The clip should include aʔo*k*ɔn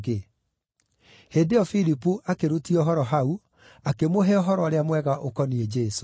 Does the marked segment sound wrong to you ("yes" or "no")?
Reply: no